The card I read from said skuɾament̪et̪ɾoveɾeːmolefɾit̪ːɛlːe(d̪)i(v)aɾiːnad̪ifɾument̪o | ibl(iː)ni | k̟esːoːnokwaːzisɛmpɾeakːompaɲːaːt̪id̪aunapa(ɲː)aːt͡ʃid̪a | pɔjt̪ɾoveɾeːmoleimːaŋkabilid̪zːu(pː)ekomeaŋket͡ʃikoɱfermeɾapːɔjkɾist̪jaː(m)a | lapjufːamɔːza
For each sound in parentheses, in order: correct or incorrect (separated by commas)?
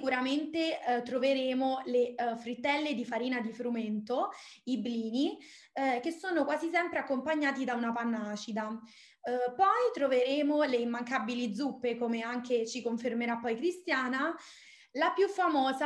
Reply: correct, incorrect, correct, incorrect, correct, incorrect